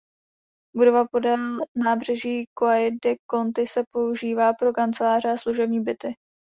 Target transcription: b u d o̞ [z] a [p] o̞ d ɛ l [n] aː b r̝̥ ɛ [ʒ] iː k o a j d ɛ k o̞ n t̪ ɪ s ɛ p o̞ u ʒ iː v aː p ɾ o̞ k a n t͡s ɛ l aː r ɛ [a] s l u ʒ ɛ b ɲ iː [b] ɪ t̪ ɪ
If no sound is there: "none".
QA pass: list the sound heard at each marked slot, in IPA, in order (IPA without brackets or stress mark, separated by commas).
v, p, n, ʒ, a, b